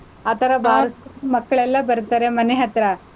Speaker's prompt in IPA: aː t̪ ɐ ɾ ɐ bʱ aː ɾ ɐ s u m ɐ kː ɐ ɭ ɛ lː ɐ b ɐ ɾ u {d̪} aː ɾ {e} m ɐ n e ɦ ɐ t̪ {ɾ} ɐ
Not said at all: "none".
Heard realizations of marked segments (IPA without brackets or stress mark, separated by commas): t̪, e, ɾ